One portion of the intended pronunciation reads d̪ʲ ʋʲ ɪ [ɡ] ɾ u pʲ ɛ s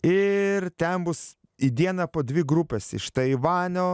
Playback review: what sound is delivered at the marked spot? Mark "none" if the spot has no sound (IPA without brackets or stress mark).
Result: ɡ